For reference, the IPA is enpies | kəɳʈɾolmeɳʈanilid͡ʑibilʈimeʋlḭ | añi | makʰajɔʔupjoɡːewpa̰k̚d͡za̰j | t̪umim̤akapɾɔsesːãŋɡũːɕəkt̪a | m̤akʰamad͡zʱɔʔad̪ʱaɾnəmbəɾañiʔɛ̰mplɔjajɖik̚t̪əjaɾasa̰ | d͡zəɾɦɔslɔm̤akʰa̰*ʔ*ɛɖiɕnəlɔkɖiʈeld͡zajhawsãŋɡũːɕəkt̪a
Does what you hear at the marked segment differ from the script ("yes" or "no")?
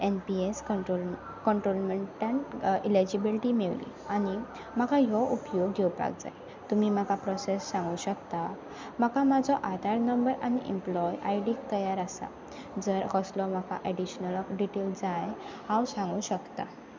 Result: no